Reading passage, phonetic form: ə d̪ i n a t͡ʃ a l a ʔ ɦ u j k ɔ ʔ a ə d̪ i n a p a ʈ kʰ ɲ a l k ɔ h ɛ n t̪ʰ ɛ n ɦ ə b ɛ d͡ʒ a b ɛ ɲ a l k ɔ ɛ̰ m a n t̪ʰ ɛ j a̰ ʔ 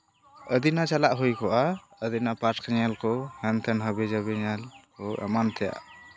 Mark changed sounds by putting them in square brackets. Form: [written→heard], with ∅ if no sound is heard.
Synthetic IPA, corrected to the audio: ə d̪ i n a t͡ʃ a l a ʔ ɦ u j k ɔ ʔ a ə d̪ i n a p a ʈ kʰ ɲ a l k ɔ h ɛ n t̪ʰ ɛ n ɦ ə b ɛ d͡ʒ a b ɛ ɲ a l k ɔ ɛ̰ m a n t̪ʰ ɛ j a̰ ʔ